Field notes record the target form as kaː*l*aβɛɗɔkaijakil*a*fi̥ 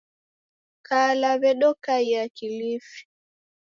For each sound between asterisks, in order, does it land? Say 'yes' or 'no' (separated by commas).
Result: yes, no